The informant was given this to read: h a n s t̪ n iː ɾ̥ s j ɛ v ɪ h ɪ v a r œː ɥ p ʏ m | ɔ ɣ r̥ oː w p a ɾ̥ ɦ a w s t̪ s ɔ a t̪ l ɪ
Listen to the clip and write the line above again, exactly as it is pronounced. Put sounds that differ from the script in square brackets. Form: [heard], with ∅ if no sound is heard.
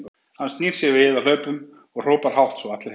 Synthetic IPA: h a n s t̪ n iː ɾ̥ s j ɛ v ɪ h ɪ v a [l] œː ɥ p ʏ m | ɔ ɣ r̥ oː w p a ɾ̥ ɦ a w [h] t̪ s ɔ a t̪ l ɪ